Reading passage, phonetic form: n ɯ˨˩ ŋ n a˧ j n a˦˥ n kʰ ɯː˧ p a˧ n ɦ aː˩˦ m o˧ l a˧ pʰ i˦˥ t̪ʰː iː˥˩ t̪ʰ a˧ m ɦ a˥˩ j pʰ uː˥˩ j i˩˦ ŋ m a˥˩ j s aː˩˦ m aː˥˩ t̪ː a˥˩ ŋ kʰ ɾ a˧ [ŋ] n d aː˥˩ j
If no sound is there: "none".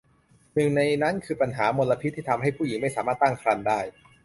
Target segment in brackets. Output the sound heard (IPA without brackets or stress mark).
none